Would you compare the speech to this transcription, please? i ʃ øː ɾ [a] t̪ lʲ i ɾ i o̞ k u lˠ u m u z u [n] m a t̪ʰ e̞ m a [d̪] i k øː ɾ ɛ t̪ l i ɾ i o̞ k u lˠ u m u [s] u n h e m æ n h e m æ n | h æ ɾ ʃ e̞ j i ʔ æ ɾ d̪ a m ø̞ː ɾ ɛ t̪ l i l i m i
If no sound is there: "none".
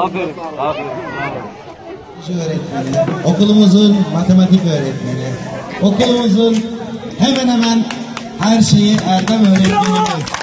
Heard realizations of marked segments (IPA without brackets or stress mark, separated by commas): ɛ, n, t̪, z